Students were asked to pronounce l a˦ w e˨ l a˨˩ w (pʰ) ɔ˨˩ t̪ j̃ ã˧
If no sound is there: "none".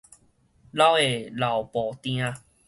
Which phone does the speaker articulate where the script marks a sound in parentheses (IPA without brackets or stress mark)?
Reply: p